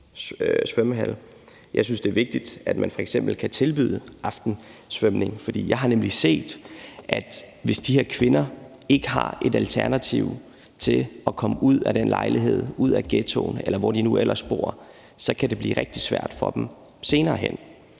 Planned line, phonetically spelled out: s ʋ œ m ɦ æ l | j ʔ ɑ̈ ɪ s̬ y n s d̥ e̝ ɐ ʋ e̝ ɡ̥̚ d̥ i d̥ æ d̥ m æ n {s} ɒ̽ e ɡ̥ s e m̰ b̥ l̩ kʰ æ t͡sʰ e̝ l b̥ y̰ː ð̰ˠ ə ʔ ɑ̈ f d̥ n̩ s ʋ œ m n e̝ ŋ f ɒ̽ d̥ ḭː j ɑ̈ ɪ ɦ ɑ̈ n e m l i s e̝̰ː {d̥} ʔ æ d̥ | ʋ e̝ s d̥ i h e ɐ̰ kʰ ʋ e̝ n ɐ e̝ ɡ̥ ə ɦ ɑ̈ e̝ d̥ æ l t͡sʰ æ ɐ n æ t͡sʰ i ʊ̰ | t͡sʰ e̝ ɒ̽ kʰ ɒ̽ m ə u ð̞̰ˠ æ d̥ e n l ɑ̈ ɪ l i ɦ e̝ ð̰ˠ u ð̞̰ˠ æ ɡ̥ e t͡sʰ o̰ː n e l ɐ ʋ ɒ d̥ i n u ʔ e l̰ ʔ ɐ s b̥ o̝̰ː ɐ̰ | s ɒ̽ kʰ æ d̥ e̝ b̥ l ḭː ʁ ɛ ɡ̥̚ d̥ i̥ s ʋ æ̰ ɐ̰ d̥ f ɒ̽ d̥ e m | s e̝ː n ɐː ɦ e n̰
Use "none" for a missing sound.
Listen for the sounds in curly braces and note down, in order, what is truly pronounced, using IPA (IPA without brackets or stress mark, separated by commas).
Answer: f, d̥